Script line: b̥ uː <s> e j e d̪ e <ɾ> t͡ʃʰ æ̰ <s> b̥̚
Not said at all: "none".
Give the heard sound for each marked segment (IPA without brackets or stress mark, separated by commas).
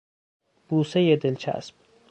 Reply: s, l, s